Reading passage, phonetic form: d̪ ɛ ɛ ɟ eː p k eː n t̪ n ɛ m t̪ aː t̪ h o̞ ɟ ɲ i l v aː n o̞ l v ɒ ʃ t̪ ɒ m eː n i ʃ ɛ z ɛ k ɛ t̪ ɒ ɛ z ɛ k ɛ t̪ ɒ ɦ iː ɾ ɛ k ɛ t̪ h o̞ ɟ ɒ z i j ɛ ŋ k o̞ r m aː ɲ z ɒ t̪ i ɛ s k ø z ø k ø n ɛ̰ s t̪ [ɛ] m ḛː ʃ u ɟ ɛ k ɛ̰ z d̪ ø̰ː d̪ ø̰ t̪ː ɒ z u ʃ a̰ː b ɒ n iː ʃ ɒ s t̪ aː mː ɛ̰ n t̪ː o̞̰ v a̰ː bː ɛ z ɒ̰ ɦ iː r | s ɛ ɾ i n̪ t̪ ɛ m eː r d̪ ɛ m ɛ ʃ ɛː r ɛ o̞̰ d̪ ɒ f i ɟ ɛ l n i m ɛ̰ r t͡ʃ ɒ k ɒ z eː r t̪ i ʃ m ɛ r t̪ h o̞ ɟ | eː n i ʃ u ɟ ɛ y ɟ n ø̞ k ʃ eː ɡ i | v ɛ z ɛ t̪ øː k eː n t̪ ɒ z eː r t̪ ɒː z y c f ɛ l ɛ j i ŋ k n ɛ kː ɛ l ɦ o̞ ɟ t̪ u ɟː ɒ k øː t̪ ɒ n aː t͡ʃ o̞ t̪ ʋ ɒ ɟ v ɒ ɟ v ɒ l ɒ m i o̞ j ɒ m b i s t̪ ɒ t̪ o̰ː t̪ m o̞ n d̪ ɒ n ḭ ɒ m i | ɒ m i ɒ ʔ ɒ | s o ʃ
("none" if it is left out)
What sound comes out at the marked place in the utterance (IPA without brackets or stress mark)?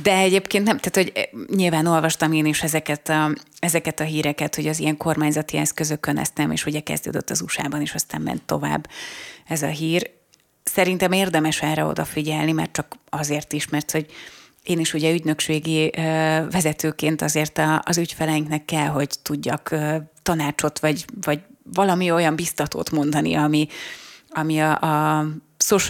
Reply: ɛ